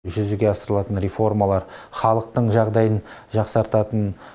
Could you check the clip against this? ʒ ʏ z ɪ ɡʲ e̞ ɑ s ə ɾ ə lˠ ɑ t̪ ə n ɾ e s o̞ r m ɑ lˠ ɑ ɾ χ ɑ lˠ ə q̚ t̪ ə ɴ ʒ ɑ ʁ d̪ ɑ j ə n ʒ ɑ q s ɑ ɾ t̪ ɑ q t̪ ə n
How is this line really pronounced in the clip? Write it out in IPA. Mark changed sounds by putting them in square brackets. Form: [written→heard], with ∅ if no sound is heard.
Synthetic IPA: ʒ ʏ z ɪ ɡʲ e̞ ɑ s ə ɾ ə lˠ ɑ t̪ ə n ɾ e [s→f] o̞ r m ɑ lˠ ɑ ɾ χ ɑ lˠ ə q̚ t̪ ə ɴ ʒ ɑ ʁ d̪ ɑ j ə n ʒ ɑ q s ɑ ɾ t̪ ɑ [q→∅] t̪ ə n